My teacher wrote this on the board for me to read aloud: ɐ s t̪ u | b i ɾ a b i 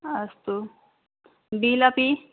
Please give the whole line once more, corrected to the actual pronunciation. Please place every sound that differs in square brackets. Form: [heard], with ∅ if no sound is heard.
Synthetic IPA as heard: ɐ s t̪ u | b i [l] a [p] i